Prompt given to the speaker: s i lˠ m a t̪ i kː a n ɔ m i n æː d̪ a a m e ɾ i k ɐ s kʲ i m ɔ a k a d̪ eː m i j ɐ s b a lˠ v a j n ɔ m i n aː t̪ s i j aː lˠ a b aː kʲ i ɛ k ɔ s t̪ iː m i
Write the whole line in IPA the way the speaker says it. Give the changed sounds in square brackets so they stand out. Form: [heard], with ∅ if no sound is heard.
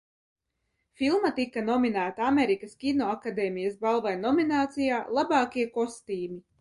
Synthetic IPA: [f] i lˠ m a t̪ i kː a n ɔ m i n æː [t̪] a a m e ɾ i k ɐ s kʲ i [n] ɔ a k a d̪ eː m i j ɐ s b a lˠ v a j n ɔ m i n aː t̪ s i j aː lˠ a b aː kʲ i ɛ k ɔ s t̪ iː m i